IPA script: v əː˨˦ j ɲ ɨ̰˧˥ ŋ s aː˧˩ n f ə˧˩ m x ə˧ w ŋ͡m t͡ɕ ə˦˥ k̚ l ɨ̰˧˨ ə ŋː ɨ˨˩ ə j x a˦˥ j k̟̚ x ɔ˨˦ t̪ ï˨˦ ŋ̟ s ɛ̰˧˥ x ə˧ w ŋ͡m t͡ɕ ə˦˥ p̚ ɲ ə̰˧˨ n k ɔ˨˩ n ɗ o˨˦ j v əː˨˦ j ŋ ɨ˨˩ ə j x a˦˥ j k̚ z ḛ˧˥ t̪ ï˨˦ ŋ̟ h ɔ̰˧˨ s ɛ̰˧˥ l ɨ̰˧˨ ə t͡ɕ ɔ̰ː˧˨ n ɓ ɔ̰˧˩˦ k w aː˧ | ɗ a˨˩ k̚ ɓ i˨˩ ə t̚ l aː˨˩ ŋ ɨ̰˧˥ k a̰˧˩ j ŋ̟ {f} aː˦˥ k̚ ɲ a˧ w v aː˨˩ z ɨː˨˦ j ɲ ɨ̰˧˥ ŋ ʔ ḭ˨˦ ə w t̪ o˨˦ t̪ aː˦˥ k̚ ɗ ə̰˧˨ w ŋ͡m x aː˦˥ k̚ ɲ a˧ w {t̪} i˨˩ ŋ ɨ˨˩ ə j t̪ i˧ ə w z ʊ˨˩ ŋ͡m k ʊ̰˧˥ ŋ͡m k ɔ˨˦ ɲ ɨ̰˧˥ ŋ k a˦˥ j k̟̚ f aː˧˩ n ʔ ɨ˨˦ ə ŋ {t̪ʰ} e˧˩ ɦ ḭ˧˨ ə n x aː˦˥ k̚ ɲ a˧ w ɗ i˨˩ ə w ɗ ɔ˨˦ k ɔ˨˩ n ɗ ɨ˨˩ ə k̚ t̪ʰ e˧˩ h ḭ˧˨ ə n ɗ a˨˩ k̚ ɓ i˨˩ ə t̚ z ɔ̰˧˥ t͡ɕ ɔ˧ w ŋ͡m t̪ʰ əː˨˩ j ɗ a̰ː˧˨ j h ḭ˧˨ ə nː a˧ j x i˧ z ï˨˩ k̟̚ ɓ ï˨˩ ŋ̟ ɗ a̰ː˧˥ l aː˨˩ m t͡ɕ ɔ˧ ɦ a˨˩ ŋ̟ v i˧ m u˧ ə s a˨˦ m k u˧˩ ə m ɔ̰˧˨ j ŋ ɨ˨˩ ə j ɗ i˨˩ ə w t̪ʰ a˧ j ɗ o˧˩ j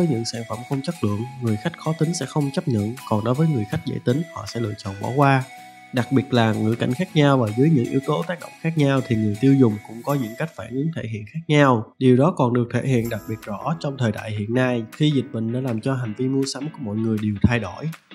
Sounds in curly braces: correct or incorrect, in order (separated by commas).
incorrect, incorrect, correct